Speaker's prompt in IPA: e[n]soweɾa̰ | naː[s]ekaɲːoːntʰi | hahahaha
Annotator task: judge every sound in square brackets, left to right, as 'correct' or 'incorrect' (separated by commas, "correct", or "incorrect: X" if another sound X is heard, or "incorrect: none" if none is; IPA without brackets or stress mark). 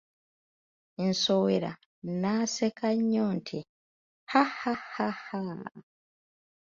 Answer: correct, correct